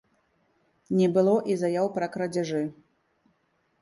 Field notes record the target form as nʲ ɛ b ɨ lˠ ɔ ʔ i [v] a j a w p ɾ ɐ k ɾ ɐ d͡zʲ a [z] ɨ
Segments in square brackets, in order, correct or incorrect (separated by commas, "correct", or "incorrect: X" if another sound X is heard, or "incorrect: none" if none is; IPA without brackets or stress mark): incorrect: z, incorrect: ʐ